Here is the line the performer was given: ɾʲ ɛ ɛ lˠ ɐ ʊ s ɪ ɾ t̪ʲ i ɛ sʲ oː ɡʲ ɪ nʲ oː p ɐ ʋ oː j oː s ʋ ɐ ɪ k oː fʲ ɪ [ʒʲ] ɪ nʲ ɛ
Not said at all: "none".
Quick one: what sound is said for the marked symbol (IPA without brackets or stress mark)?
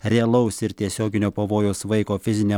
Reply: zʲ